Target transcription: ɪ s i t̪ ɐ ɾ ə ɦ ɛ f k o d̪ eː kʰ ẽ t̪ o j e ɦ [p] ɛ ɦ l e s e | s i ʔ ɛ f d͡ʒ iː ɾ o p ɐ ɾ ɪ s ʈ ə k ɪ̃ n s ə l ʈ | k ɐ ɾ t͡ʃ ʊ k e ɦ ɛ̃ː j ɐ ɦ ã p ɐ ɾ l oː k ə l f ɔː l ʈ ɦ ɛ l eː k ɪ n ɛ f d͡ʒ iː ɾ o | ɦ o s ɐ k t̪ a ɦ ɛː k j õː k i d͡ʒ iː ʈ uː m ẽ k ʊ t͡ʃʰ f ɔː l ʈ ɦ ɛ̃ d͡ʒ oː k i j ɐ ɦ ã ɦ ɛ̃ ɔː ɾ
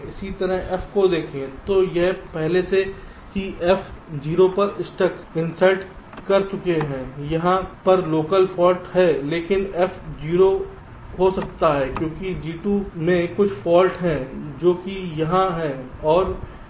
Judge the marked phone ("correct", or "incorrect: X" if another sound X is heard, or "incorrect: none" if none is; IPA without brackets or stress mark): correct